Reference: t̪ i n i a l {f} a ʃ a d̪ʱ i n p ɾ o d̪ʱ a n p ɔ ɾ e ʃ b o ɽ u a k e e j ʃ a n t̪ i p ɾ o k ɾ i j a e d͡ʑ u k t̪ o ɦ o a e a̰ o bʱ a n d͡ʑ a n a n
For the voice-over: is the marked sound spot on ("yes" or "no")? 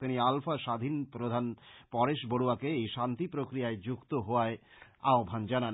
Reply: yes